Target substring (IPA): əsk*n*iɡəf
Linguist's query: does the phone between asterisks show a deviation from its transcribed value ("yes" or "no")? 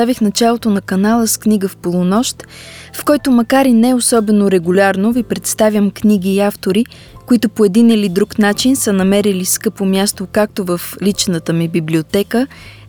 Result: no